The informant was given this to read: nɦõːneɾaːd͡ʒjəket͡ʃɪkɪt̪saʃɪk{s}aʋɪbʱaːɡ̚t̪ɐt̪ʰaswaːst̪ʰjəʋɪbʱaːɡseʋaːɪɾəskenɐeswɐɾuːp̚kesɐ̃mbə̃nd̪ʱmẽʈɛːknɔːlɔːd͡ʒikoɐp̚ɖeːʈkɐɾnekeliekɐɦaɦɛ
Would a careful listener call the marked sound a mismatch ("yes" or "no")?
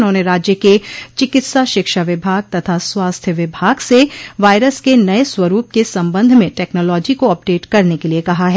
yes